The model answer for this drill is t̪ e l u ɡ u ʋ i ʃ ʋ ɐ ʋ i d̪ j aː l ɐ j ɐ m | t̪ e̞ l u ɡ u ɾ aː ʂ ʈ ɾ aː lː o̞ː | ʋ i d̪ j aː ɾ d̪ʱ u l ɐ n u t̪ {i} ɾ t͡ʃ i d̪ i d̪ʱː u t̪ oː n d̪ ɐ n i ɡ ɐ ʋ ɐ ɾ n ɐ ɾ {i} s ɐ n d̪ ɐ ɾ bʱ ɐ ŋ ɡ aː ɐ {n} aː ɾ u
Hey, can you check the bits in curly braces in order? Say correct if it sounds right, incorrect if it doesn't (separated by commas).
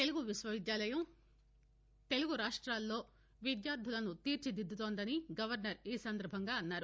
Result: incorrect, incorrect, incorrect